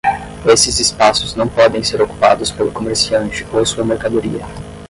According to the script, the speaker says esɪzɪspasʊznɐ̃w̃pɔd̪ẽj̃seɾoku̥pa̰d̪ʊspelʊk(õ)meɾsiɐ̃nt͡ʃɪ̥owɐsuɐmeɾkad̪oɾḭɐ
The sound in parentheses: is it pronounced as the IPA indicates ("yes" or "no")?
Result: no